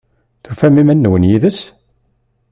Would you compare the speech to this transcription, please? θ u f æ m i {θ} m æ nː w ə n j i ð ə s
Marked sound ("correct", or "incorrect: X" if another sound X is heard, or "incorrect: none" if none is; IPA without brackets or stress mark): incorrect: none